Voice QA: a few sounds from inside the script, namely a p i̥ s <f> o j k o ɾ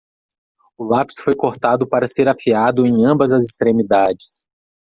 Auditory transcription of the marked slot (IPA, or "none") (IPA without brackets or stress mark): f